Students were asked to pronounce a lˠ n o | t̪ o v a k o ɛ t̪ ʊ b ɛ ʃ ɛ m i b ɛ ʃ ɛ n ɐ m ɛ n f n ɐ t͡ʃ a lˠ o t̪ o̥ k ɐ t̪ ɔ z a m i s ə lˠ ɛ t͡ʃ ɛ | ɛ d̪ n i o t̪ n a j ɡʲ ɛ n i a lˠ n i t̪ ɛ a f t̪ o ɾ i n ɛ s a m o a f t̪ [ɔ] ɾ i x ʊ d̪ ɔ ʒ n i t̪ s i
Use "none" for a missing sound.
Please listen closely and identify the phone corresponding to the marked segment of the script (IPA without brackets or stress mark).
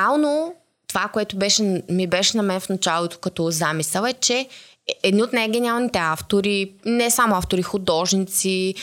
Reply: o